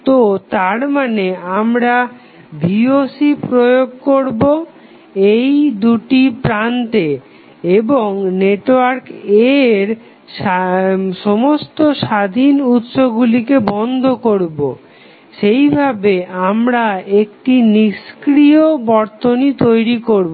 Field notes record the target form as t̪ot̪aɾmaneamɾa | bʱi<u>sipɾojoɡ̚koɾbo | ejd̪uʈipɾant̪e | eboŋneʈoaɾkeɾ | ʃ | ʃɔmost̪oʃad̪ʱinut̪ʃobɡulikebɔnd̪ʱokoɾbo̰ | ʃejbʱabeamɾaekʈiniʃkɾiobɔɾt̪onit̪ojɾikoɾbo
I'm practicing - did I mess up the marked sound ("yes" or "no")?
yes